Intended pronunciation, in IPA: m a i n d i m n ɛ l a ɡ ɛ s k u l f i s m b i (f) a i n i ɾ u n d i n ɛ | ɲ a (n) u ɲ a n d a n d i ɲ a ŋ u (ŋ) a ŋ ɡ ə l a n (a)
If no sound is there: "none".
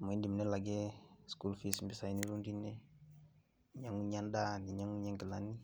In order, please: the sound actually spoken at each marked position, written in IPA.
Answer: s, ŋ, ɲ, i

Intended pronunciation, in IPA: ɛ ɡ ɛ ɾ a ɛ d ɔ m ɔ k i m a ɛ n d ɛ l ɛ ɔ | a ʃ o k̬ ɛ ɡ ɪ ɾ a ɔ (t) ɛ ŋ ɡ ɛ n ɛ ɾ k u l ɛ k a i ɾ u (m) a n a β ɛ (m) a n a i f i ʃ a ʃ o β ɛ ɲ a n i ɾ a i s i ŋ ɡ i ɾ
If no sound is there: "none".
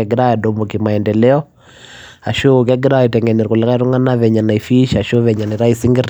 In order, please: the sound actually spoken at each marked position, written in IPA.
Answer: t, ŋ, ɲ

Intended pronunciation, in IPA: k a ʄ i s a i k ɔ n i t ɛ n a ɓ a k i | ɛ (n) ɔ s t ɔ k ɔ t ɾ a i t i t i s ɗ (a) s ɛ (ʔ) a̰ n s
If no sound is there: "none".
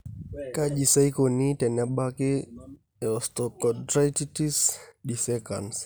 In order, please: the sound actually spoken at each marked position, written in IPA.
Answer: none, i, k

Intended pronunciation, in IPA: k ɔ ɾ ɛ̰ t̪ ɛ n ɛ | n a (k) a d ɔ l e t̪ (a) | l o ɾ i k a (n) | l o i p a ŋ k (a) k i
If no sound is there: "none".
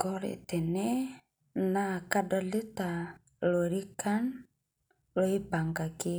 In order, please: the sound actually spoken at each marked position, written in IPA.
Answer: k, a, n, a

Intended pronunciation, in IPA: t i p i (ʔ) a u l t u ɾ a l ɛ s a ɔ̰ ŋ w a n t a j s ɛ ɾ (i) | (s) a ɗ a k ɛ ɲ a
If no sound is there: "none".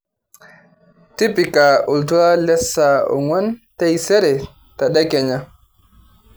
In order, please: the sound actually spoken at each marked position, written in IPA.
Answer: k, ɛ, t

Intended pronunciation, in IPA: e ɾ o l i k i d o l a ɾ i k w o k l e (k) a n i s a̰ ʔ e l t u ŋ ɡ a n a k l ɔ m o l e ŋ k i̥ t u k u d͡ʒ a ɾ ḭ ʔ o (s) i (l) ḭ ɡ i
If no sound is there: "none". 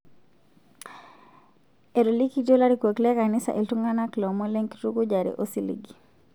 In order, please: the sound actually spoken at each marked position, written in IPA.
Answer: k, s, l

